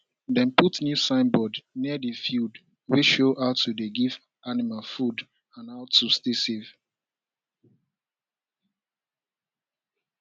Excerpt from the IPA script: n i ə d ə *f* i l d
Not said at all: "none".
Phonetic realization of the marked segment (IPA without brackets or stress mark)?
f